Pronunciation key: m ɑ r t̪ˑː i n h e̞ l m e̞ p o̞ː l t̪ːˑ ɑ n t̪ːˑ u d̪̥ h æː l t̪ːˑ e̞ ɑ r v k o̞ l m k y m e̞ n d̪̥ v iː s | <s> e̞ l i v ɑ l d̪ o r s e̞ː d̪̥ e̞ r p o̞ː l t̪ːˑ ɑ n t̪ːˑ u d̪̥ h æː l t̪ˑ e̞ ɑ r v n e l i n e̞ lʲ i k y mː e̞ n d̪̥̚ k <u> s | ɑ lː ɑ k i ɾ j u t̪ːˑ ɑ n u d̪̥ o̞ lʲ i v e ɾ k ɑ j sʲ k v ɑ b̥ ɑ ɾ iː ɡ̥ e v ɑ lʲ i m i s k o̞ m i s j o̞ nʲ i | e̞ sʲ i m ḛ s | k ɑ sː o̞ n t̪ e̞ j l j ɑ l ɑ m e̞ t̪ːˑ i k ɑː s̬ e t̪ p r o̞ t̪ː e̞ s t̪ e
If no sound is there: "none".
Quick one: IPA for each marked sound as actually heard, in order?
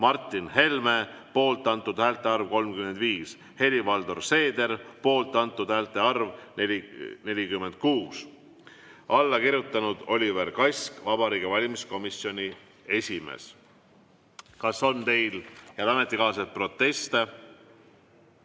h, uː

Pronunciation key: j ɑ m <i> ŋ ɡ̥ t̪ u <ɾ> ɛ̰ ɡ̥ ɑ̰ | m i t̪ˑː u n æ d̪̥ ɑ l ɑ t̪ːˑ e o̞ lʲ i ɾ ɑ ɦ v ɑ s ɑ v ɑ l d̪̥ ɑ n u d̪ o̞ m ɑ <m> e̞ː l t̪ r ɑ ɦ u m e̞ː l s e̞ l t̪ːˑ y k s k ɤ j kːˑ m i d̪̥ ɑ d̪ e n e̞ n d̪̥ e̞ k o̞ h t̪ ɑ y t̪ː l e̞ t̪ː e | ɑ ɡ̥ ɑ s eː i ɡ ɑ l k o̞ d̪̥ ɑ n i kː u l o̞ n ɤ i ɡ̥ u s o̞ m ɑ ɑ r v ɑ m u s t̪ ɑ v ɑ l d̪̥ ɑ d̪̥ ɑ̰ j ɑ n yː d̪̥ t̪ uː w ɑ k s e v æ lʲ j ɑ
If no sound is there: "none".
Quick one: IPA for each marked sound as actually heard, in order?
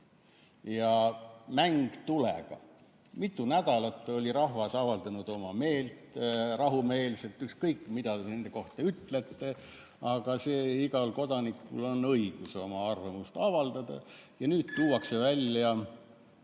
æ, l, m

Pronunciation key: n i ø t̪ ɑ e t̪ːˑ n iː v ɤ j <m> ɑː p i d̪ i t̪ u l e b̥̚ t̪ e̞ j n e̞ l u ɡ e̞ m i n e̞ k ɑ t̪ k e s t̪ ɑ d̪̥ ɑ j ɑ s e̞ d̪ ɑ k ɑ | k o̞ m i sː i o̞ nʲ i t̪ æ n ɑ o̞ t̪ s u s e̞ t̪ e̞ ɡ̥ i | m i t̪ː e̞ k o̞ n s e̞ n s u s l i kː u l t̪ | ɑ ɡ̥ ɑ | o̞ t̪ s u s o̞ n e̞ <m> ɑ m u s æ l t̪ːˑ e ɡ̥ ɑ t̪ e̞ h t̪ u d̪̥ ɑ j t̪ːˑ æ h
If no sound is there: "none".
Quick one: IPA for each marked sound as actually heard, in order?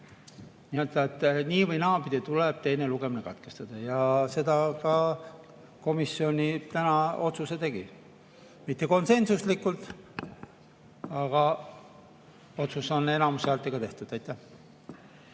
n, n

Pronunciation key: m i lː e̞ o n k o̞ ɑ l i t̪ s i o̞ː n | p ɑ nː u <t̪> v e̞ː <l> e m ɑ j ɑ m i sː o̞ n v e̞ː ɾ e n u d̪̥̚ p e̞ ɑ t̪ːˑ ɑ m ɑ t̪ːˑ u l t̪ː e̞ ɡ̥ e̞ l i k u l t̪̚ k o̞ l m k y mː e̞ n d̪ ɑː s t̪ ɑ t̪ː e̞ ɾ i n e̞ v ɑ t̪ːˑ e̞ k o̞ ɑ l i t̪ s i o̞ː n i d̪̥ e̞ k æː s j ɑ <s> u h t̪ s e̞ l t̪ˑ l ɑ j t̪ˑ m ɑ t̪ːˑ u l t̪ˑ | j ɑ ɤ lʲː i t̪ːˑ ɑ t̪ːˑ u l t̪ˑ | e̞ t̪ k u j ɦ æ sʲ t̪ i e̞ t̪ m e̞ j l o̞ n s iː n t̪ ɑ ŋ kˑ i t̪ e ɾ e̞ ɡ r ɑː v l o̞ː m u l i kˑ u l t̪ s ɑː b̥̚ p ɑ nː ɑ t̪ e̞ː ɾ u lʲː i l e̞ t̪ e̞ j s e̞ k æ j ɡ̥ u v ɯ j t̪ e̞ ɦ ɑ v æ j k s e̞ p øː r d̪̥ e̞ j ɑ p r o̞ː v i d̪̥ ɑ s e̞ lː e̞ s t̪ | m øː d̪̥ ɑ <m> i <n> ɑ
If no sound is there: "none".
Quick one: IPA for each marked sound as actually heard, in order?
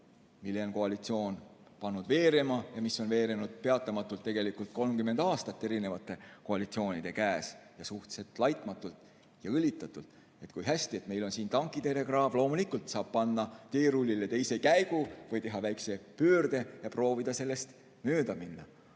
d̪, ɾ, s, m, nː

